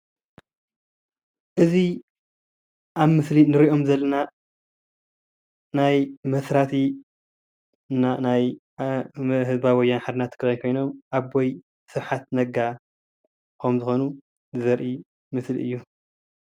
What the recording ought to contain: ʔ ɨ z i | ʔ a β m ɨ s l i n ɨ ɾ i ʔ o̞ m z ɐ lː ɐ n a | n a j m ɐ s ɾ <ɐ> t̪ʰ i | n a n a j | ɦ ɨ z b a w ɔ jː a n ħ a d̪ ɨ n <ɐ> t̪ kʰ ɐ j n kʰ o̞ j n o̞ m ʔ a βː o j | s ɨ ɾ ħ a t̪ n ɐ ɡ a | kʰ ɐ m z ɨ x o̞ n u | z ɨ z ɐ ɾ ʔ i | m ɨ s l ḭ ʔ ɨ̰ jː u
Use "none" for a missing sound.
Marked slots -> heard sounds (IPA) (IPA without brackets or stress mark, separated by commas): a, a